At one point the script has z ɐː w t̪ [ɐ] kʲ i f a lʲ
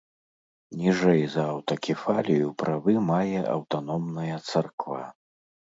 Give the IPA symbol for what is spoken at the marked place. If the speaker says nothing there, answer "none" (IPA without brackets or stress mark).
ɐ